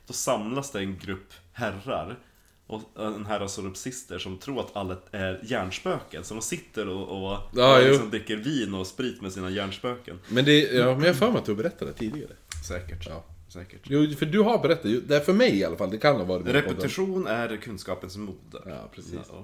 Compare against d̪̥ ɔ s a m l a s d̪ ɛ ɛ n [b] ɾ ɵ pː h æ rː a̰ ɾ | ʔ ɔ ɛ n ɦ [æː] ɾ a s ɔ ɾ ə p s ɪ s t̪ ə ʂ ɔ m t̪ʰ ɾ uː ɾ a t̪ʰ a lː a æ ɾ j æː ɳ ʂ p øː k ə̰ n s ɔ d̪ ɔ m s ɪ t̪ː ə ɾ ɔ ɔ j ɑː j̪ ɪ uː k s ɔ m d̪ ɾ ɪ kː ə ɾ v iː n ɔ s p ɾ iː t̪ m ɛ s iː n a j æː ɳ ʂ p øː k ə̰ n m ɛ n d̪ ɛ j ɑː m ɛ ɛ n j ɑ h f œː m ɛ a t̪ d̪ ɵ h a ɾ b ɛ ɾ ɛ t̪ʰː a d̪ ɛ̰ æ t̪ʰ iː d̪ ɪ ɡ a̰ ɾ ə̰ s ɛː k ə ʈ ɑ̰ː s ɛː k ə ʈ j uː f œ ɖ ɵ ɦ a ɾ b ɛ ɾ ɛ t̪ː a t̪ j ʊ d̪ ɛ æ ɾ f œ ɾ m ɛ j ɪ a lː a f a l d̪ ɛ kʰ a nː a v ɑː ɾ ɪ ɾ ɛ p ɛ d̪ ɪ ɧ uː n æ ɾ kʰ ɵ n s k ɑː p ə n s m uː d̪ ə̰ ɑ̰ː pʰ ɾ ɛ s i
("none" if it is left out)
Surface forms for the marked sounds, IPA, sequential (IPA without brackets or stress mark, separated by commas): ɡ, æ